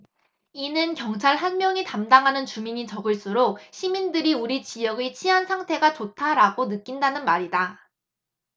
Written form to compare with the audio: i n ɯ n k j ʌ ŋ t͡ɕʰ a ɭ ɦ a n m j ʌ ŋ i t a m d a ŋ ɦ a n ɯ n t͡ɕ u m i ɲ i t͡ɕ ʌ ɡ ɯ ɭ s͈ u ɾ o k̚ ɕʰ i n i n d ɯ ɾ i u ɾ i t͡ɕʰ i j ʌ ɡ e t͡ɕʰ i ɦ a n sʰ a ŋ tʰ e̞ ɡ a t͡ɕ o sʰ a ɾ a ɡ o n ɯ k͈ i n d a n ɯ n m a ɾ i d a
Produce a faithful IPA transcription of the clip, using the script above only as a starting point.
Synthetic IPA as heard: i n ɯ n k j ʌ ŋ t͡ɕʰ a ɭ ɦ a n m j ʌ ŋ i t a m d a ŋ ɦ a n ɯ n t͡ɕ u m i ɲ i t͡ɕ ʌ ɡ ɯ ɭ s͈ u ɾ o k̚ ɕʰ i m i n d ɯ ɾ i u ɾ i t͡ɕ i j ʌ ɡ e t͡ɕʰ i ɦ a n sʰ a ŋ tʰ e̞ ɡ a t͡ɕ o tʰ a ɾ a ɡ o n ɯ k͈ i n d a n ɯ n m a ɾ i d a

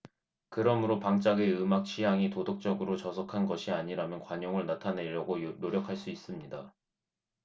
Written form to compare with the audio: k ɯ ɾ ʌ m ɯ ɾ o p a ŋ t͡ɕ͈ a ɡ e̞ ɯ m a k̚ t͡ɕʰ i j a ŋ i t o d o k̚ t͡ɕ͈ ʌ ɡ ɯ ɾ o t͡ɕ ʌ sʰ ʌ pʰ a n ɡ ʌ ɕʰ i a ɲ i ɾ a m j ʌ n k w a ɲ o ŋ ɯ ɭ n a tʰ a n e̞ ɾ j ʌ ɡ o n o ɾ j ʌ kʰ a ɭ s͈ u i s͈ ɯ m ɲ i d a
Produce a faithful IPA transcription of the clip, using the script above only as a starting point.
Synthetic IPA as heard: k ɯ ɾ ʌ m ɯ ɾ o p a ŋ t͡ɕ͈ a ɡ e̞ ɯ m a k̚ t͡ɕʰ i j a ŋ i t o d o k̚ t͡ɕ͈ ʌ ɡ ɯ ɾ o t͡ɕ ʌ sʰ ʌ kʰ a n ɡ ʌ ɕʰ i a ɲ i ɾ a m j ʌ n k w a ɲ o ŋ ɯ ɭ n a tʰ a n e̞ ɾ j ʌ ɡ o n o ɾ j ʌ kʰ a ɭ s͈ u i s͈ ɯ m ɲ i d a

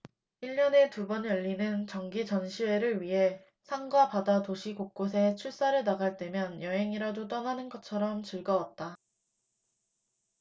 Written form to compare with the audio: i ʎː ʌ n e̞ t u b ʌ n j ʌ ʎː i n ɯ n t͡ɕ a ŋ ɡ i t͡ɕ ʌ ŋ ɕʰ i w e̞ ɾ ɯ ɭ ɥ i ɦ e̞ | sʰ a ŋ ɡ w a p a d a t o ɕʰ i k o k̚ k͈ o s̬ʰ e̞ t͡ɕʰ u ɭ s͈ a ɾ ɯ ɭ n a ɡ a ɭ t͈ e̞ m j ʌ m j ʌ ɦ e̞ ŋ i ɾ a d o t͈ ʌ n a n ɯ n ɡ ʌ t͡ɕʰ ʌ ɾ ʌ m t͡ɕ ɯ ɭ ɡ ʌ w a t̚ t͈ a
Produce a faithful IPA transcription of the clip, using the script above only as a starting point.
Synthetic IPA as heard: i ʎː ʌ n e̞ t u b ʌ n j ʌ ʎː i n ɯ n t͡ɕ ʌ ŋ ɡ i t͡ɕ ʌ n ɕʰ i w e̞ ɾ ɯ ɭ ɥ i ɦ e̞ | sʰ a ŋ ɡ w a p a d a t o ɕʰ i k o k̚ k͈ o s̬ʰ e̞ t͡ɕʰ u ɭ s͈ a ɾ ɯ ɭ n a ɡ a ɭ t͈ e̞ m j ʌ n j ʌ ɦ e̞ ŋ i ɾ a d o t͈ ʌ n a n ɯ n ɡ ʌ t͡ɕʰ ʌ ɾ ʌ m t͡ɕ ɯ ɭ ɡ ʌ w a t̚ t͈ a

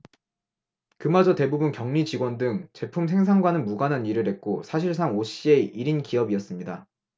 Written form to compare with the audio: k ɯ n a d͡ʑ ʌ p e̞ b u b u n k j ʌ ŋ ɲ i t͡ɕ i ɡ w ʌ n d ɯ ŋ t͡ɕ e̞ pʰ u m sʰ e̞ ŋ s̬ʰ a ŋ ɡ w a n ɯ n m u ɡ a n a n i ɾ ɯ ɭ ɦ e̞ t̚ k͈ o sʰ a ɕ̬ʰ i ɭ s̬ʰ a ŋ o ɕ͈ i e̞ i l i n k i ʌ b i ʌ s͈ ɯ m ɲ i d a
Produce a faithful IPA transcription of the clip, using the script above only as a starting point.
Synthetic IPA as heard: k ɯ m a d͡ʑ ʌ t e̞ b u b u n k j ʌ ŋ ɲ i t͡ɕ i ɡ w ʌ n d ɯ ŋ t͡ɕ e̞ pʰ u m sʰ e̞ ŋ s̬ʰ a ŋ ɡ w a n ɯ n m u ɡ a n a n i ɾ ɯ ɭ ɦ e̞ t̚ k͈ o sʰ a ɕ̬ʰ i ɭ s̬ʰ a ŋ o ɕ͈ i e̞ i ɾ i n k i ʌ b i ʌ s͈ ɯ m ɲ i d a

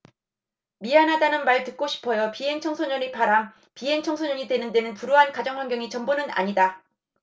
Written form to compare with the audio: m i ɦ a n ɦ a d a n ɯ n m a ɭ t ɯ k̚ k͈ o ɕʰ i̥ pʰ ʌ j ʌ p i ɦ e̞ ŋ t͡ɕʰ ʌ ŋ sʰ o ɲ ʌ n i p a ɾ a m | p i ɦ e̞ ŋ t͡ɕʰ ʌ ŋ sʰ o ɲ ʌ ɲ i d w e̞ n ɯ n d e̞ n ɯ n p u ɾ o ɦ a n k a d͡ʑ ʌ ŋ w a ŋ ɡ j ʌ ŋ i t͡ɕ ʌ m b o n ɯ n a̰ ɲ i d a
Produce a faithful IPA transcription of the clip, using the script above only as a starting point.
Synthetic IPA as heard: m i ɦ a n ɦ a d a n ɯ n m a ɭ t ɯ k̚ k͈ o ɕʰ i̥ pʰ ʌ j ʌ p i ɦ e̞ ŋ t͡ɕʰ ʌ ŋ sʰ o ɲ ʌ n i p a ɾ a m | p i ɦ e̞ ŋ t͡ɕʰ ʌ ŋ sʰ o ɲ ʌ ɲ i d w e̞ n ɯ n d e̞ n ɯ n p u ɾ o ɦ a n k a d͡ʑ ʌ ŋ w a ŋ ɡ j ʌ ŋ i t͡ɕ ʌ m b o n ɯ n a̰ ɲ i d a

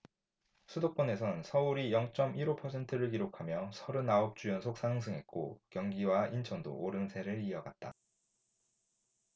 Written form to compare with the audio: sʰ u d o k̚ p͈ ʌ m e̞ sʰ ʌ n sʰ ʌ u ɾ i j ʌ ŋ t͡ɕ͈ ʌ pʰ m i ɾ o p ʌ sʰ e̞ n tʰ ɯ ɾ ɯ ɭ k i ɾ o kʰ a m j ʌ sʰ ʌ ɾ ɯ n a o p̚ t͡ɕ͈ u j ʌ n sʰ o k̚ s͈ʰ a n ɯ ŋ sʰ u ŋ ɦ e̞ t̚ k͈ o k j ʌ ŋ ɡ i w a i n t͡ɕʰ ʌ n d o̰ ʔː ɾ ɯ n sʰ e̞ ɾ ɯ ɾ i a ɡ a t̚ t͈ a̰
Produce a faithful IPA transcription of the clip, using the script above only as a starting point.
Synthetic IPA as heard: sʰ u d o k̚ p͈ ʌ n e̞ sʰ ʌ n sʰ ʌ u ɾ i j ʌ ŋ t͡ɕ͈ ʌ m i ɾ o pʰ ʌ sʰ e̞ n tʰ ɯ ɾ ɯ ɭ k i ɾ o kʰ a m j ʌ sʰ ʌ ɾ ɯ n a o p̚ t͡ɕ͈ u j ʌ n sʰ o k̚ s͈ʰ a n ɯ ŋ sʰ ɯ ŋ ɦ e̞ t̚ k͈ o k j ʌ ŋ ɡ i w a i n t͡ɕʰ ʌ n d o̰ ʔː ɾ ɯ n sʰ e̞ ɾ ɯ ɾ i ʌ ɡ a t̚ t͈ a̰

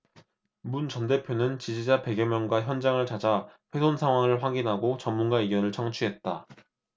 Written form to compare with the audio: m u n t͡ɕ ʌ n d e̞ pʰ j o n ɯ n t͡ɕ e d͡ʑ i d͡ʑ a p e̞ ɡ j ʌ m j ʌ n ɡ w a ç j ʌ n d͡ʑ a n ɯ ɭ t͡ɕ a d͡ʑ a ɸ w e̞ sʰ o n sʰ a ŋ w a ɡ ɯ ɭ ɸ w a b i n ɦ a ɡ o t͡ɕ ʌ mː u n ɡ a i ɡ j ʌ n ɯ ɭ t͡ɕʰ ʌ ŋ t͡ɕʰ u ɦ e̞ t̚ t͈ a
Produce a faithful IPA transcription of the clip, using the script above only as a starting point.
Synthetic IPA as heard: m u n t͡ɕ ʌ n d e̞ pʰ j o n ɯ n t͡ɕ i d͡ʑ i d͡ʑ a p e̞ ɡ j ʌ m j ʌ n ɡ w a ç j ʌ n d͡ʑ a ŋ ɯ ɭ t͡ɕ a d͡ʑ a ɸ w e̞ sʰ o n sʰ a ŋ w a ŋ ɯ ɭ ɸ w a ɡ i n ɦ a ɡ o t͡ɕ ʌ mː u n ɡ a i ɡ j ʌ n ɯ ɭ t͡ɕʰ ʌ ŋ t͡ɕʰ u ɦ e̞ t̚ t͈ a

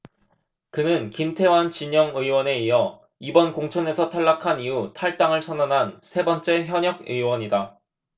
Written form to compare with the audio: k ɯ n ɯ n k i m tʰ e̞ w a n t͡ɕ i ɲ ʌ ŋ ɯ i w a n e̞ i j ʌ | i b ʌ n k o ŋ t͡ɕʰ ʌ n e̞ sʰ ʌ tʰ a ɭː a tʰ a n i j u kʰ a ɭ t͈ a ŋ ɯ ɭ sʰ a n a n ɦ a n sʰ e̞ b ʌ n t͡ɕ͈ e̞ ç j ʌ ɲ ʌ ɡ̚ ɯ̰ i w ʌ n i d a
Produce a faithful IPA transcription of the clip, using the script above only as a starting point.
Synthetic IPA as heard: k ɯ n ɯ n k i m tʰ e̞ w a n t͡ɕ i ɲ ʌ ŋ ɯ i w ʌ n e̞ i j ʌ | i b ʌ n k o ŋ t͡ɕʰ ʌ n e̞ sʰ ʌ tʰ a ɭː a kʰ a n i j u tʰ a ɭ t͈ a ŋ ɯ ɭ sʰ ʌ n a n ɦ a n sʰ e̞ b ʌ n t͡ɕ͈ e̞ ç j ʌ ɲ ʌ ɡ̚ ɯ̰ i w ʌ ɲ i d a

